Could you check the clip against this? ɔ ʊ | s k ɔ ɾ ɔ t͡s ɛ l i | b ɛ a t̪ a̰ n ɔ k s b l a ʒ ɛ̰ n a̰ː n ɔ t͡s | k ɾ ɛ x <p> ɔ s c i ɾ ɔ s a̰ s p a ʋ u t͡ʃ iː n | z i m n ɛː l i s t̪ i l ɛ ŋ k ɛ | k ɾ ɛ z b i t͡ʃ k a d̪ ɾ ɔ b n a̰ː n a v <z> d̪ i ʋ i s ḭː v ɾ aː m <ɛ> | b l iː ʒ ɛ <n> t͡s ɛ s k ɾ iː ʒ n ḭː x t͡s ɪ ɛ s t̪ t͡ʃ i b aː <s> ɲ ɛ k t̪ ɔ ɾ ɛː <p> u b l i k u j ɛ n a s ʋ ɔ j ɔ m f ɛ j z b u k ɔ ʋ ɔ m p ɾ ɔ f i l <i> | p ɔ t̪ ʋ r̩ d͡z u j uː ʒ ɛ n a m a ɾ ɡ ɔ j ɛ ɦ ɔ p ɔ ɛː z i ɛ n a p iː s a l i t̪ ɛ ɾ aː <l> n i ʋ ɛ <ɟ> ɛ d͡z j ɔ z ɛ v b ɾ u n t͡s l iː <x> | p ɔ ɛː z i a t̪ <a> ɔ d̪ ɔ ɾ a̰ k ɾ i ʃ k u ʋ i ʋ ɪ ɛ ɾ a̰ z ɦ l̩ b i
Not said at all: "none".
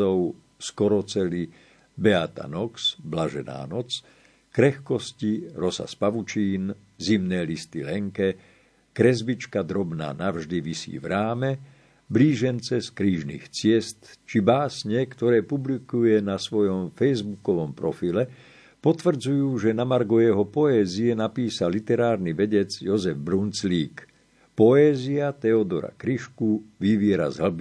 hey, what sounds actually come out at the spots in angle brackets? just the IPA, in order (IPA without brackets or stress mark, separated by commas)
k, ʒ, ɛ, n, s, p, ɛ, ɾ, ɟ, k, ɛ